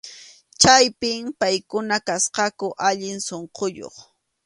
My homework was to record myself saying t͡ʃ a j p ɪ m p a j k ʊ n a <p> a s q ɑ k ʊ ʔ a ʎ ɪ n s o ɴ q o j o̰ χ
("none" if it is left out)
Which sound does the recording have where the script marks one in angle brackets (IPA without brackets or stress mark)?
k